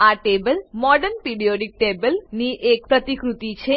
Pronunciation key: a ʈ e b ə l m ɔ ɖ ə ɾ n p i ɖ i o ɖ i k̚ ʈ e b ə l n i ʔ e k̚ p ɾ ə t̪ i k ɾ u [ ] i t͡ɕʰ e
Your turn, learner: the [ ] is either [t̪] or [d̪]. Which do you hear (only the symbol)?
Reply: t̪